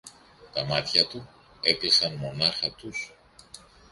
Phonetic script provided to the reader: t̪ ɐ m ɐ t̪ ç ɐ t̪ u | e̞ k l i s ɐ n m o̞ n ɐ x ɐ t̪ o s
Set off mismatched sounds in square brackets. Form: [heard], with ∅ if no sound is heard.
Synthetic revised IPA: t̪ ɐ m ɐ t̪ ç ɐ t̪ u | e̞ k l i s ɐ n m o̞ n ɐ x ɐ t̪ [u] s